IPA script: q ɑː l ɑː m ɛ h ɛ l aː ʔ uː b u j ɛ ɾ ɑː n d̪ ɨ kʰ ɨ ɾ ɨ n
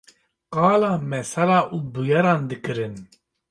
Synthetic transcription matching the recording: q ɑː l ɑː m ɛ s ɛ l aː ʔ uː b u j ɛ ɾ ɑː n d̪ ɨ k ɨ ɾ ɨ n